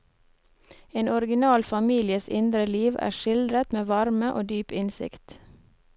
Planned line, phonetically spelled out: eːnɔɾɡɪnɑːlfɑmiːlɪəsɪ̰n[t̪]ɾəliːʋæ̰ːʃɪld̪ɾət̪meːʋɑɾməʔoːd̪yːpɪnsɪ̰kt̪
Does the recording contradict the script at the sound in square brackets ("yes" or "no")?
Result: yes